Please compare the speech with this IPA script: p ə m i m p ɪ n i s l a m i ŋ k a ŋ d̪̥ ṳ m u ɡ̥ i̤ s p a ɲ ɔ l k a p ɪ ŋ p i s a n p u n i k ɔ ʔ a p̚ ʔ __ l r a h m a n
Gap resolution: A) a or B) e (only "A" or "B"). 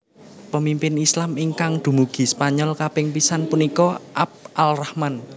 A